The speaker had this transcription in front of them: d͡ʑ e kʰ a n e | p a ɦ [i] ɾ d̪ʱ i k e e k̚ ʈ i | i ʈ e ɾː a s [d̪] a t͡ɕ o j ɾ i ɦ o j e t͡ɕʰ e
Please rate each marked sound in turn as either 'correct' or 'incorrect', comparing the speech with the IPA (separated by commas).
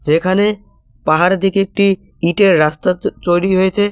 incorrect, incorrect